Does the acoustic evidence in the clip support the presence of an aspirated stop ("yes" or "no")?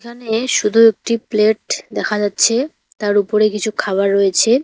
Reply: yes